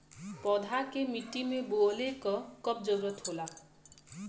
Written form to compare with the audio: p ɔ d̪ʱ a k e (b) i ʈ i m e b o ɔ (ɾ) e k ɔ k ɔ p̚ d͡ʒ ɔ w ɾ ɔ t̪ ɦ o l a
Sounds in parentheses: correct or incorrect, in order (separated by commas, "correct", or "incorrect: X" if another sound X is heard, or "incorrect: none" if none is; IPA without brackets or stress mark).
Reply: incorrect: m, incorrect: l